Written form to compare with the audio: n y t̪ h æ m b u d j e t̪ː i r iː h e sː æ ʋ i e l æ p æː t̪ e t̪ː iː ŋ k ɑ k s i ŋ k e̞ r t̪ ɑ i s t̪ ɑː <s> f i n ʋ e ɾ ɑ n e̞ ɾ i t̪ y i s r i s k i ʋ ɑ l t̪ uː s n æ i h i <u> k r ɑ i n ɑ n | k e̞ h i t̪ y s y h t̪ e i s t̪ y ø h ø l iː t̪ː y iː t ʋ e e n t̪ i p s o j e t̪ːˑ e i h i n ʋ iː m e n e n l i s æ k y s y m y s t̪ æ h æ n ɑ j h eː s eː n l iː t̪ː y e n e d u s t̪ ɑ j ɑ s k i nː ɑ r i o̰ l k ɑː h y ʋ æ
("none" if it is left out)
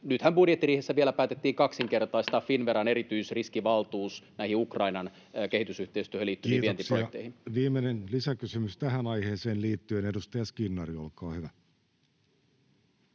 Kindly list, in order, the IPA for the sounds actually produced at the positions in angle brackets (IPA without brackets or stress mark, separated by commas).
f, u